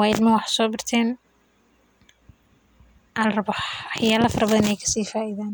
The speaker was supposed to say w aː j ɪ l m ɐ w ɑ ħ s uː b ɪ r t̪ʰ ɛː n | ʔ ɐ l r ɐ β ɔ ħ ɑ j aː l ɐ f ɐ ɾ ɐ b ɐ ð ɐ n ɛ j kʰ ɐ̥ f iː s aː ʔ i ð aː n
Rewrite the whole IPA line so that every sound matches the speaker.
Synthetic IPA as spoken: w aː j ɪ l m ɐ w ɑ ħ s ɔː b ɪ r t̪ʰ ɛː n | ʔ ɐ l r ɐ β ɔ ħ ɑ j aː l ɐ f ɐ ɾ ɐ b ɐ ð ɐ n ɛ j kʰ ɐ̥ s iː f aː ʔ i ð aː n